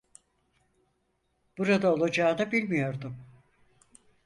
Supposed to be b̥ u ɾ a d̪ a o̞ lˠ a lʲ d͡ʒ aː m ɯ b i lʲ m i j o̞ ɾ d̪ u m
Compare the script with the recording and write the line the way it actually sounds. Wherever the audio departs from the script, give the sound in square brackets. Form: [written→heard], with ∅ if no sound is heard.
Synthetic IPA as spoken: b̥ u ɾ a d̪ a o̞ lˠ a [lʲ→∅] d͡ʒ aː [m→n] ɯ b i lʲ m i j o̞ ɾ d̪ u m